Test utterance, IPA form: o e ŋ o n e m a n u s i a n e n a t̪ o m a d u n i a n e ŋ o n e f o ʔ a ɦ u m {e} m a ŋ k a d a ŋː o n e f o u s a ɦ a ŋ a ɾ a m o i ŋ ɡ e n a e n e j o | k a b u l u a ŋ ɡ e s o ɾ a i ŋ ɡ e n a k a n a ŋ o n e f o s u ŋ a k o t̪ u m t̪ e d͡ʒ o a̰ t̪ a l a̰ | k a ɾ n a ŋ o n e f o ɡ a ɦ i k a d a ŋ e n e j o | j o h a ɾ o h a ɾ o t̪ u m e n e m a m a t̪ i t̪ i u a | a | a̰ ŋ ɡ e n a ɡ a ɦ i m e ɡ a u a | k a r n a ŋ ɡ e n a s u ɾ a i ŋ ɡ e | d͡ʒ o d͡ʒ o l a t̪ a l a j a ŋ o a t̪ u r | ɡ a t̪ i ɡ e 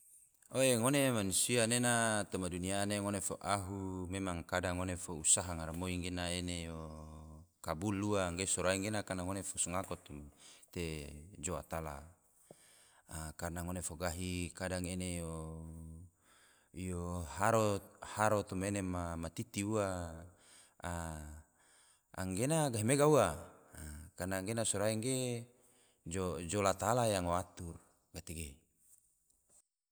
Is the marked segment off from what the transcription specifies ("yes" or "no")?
no